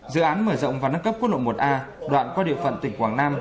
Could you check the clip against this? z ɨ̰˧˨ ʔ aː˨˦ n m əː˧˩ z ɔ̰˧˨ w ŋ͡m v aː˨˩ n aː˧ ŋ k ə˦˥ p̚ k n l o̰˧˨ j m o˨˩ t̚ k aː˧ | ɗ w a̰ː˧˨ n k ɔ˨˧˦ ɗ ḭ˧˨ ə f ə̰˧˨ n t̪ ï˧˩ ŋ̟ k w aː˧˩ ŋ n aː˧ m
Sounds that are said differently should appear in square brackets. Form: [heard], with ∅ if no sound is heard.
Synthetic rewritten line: z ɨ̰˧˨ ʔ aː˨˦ n m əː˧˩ z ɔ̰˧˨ w ŋ͡m v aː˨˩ n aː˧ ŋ k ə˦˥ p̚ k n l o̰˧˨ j m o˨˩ t̚ [ʔ] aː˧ | ɗ w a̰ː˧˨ n k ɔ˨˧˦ ɗ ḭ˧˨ ə f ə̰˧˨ n t̪ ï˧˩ ŋ̟ k w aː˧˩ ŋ n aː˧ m